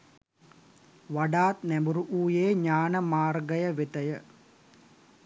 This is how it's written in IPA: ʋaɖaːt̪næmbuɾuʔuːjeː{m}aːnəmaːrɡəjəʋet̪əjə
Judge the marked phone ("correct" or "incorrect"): incorrect